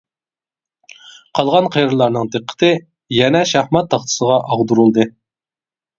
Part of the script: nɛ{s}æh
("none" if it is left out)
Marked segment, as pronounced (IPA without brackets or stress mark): ʃ